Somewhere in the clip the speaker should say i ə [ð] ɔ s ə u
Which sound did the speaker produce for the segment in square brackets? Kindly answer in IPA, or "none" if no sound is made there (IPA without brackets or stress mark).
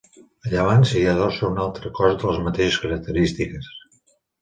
ð